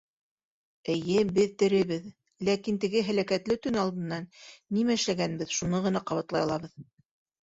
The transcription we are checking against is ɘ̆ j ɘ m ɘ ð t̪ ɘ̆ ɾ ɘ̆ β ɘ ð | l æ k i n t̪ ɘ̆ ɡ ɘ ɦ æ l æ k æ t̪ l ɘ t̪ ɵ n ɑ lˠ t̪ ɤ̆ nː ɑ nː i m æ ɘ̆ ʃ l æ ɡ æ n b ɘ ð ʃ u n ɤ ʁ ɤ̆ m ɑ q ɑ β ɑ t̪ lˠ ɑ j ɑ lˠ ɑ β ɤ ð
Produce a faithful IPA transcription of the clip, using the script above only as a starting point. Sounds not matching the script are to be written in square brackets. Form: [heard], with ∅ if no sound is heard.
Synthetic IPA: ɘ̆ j ɘ [b] ɘ ð t̪ ɘ̆ ɾ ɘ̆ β ɘ ð | l æ k i n t̪ ɘ̆ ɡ ɘ ɦ æ l æ k æ t̪ l ɘ t̪ ɵ n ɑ lˠ [d̪] ɤ̆ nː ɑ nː i m æ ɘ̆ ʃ l æ ɡ æ n b ɘ ð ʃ u n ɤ ʁ ɤ̆ [n] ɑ q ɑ β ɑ t̪ lˠ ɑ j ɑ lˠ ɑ β ɤ ð